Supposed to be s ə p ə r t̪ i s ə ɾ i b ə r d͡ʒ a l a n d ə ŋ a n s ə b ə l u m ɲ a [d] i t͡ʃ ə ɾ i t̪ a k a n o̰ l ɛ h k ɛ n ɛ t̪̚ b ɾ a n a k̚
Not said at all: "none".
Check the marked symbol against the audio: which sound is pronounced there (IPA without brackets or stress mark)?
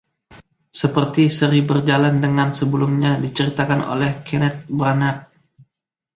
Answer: d